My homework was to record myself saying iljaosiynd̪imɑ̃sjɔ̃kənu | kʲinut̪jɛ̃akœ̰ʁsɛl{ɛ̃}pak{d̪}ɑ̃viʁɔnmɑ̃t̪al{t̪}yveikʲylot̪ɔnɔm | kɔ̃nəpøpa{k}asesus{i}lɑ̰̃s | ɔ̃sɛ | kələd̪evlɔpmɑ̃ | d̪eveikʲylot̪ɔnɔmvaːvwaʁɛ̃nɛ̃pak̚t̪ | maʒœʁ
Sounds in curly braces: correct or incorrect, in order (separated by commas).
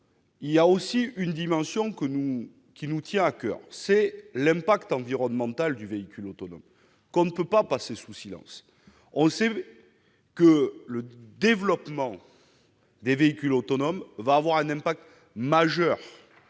correct, incorrect, incorrect, incorrect, correct